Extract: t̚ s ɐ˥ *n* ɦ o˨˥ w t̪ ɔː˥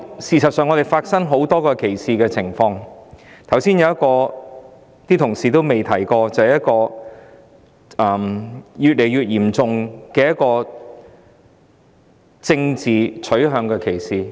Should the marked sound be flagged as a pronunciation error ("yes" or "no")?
yes